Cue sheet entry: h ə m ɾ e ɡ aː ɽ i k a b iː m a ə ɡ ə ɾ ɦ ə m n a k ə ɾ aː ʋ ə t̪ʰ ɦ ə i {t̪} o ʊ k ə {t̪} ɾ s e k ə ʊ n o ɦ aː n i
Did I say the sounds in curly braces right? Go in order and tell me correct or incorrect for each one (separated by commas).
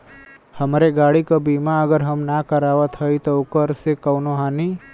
correct, incorrect